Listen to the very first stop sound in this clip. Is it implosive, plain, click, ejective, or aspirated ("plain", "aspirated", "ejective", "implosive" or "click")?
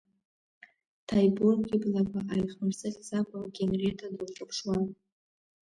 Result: aspirated